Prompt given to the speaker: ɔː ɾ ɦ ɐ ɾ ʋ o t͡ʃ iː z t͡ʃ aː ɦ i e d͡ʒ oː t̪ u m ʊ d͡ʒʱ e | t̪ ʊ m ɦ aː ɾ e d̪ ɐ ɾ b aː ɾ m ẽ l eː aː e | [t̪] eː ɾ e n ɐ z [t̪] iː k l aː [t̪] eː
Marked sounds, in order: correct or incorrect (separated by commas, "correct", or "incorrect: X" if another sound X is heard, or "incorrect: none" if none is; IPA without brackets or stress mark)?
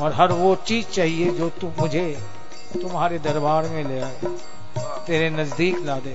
correct, incorrect: d̪, incorrect: d̪